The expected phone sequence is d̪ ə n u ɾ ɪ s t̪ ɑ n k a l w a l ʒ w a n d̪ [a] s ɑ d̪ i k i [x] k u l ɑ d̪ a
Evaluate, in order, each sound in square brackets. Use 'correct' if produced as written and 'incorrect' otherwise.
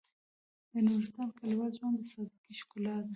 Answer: incorrect, incorrect

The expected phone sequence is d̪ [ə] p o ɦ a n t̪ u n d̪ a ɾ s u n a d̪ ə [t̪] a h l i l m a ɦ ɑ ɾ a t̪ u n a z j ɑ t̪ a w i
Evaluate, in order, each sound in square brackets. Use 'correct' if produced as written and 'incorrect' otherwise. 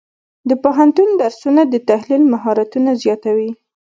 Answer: correct, correct

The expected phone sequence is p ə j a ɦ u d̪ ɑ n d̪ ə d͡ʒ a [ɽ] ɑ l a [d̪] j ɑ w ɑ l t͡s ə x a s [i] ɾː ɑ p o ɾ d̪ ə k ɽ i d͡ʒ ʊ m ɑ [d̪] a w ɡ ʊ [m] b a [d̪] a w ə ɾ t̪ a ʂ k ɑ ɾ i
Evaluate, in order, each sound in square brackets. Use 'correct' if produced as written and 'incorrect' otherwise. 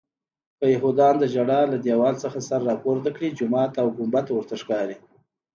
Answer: correct, correct, incorrect, incorrect, correct, incorrect

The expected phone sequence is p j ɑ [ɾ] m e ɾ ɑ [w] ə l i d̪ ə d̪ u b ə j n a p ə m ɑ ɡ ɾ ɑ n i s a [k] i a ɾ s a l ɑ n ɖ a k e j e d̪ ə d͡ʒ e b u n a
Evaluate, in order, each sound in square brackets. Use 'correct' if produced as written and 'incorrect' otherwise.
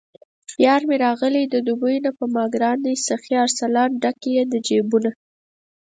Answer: correct, incorrect, incorrect

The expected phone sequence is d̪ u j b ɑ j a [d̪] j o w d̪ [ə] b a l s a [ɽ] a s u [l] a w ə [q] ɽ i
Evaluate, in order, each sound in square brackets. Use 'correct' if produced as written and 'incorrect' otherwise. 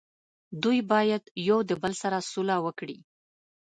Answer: correct, correct, incorrect, correct, incorrect

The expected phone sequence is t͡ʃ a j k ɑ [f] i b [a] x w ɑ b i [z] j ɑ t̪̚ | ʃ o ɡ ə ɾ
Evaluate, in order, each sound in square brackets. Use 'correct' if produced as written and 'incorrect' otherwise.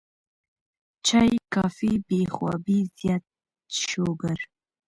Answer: correct, incorrect, correct

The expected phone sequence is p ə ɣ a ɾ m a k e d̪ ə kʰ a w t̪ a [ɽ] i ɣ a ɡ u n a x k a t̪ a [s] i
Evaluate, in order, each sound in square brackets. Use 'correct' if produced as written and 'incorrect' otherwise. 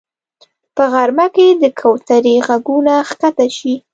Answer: incorrect, incorrect

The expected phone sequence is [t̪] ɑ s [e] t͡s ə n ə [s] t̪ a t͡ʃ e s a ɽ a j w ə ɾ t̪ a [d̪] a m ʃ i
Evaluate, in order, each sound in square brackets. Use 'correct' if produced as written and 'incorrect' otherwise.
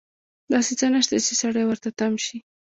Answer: incorrect, correct, incorrect, incorrect

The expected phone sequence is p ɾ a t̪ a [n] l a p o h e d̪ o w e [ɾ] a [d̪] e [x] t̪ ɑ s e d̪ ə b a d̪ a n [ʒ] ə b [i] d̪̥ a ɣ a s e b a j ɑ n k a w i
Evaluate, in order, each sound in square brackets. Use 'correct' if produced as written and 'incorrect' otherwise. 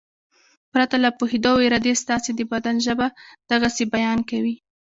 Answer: incorrect, correct, correct, incorrect, correct, incorrect

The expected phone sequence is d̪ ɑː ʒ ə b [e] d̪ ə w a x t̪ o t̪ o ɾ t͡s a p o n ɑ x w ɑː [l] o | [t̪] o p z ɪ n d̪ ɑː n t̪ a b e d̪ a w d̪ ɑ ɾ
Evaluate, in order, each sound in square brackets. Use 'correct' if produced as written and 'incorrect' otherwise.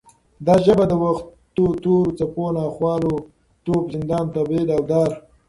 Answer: incorrect, correct, correct

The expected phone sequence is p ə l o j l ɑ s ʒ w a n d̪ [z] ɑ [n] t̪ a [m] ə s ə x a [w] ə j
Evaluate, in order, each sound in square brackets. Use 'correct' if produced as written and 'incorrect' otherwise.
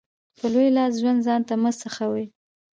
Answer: correct, correct, correct, correct

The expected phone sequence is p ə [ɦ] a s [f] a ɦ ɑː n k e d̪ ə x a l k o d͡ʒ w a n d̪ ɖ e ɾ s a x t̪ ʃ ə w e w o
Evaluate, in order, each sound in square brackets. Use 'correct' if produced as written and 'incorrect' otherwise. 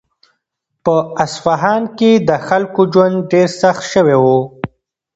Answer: incorrect, correct

